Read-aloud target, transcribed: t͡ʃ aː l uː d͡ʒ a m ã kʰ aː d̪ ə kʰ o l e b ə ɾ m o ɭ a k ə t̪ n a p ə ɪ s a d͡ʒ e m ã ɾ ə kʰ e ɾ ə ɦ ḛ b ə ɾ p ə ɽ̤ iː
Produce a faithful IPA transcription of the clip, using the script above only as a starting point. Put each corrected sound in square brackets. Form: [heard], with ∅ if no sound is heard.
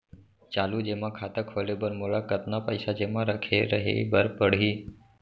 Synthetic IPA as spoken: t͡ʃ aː l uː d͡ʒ [e] m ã kʰ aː [t̪] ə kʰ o l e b ə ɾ m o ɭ a k ə t̪ n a p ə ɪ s a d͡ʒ e m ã ɾ ə kʰ e ɾ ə ɦ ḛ b ə ɾ p ə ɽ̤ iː